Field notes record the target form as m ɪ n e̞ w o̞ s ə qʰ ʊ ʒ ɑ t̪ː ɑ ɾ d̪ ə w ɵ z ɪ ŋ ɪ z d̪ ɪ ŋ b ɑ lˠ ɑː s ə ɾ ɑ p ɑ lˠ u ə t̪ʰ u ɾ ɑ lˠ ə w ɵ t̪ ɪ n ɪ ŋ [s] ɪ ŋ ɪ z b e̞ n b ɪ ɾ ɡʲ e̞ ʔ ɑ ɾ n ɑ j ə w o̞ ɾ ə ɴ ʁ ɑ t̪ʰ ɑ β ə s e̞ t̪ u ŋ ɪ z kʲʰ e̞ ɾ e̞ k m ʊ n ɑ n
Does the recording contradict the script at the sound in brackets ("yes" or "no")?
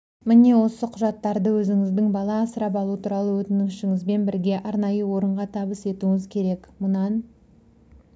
yes